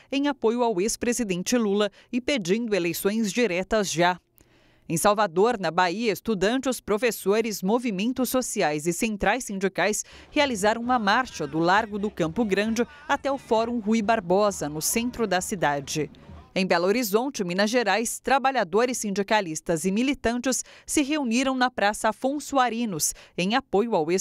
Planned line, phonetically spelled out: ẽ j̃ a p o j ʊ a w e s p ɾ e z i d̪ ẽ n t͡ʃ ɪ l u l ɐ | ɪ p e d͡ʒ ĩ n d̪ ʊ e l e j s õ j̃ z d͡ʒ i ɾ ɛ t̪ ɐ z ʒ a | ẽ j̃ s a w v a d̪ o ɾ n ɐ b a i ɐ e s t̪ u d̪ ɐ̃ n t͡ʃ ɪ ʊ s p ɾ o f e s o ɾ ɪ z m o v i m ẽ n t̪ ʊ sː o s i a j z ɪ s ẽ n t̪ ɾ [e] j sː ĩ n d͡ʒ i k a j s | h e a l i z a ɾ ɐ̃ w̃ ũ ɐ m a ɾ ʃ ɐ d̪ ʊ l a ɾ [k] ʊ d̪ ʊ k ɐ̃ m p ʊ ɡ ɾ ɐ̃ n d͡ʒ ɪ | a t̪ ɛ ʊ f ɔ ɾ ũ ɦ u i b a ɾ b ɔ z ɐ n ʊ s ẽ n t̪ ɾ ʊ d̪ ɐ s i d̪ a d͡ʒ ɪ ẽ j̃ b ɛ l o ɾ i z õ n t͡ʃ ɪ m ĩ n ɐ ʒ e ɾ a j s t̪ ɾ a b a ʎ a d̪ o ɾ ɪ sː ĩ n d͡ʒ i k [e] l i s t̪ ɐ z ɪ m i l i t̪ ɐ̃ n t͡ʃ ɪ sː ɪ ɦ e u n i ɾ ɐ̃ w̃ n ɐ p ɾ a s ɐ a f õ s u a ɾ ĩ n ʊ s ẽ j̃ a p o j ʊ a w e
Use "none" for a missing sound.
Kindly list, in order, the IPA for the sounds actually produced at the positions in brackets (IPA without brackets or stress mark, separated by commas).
a, ɡ, a